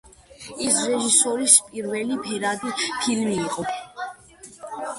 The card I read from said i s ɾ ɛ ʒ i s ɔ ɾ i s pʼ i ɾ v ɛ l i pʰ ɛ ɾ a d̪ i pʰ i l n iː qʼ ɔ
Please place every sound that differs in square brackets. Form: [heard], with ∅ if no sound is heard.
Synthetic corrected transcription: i s ɾ ɛ ʒ i s ɔ ɾ i s pʼ i ɾ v ɛ l i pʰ ɛ ɾ a d̪ i pʰ i l [m] iː qʼ ɔ